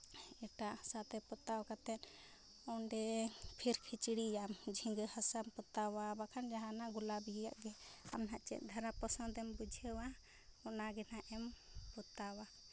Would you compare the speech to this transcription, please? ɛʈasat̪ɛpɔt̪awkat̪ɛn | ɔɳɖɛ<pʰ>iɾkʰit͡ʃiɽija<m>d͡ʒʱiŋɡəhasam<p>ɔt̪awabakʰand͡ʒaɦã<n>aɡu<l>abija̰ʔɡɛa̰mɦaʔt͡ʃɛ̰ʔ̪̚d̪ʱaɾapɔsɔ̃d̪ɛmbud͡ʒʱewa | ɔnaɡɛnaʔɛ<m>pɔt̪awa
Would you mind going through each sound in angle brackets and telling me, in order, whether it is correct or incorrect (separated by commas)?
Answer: correct, correct, correct, correct, correct, correct